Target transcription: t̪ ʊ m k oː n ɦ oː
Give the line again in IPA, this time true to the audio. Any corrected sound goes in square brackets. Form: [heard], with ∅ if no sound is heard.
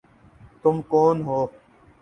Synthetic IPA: t̪ ʊ m k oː n ɦ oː